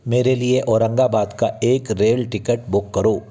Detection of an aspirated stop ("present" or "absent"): absent